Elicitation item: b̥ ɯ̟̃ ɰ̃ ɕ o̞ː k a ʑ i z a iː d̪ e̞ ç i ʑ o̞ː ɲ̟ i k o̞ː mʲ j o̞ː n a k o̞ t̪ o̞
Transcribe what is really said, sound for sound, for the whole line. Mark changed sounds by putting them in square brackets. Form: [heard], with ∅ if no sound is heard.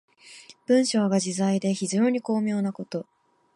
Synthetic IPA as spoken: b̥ ɯ̟̃ ɰ̃ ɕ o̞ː [ɡ] a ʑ i z a [i] d̪ e̞ ç i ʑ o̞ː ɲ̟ i k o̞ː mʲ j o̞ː n a k o̞ t̪ o̞